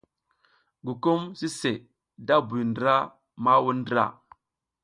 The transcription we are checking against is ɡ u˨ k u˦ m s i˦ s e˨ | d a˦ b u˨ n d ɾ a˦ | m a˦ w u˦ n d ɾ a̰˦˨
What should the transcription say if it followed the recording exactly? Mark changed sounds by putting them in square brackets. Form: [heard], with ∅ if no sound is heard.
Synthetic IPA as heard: ɡ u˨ k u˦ m s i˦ s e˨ | d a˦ b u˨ n d ɾ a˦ | m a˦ w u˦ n d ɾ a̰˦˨